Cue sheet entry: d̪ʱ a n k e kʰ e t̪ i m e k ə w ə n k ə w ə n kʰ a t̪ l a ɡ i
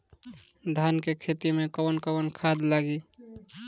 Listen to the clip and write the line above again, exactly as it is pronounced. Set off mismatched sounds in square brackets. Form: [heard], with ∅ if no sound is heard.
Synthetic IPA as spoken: d̪ʱ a n k e kʰ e t̪ i m e k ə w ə n k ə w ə n kʰ a [d̪] l a ɡ i